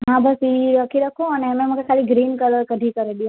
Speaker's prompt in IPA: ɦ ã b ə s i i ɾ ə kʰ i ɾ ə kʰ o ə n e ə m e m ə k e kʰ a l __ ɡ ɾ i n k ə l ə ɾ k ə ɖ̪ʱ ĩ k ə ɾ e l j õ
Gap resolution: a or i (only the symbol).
i